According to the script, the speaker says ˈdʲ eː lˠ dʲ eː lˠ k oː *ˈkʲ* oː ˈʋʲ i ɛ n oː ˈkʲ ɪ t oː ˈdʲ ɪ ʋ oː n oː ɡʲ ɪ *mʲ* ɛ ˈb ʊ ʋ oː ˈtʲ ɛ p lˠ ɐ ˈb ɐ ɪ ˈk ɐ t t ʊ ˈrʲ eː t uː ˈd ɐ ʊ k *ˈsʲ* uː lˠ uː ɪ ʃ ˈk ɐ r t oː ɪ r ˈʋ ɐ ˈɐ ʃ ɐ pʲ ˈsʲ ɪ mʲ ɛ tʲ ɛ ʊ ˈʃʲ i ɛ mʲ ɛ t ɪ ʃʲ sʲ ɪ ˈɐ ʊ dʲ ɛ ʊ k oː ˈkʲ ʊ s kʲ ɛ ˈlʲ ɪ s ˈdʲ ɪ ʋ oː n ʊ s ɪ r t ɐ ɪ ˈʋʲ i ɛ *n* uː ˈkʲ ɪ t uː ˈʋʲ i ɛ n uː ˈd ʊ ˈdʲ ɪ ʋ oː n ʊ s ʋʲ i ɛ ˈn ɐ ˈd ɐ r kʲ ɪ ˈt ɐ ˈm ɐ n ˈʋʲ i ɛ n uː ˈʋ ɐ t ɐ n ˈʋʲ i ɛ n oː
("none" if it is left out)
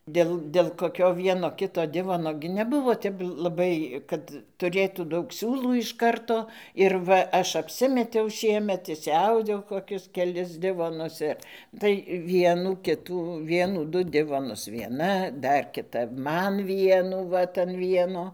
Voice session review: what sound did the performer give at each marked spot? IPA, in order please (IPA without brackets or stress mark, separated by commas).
kʲ, nʲ, sʲ, n